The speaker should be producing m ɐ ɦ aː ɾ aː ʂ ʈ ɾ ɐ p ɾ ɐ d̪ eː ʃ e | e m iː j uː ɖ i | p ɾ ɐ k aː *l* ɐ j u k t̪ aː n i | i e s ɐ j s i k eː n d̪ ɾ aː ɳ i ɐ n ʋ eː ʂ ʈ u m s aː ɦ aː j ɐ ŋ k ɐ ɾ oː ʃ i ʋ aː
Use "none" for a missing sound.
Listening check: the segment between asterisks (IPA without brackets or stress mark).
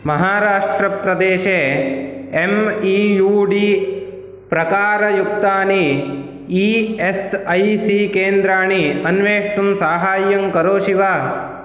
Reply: ɾ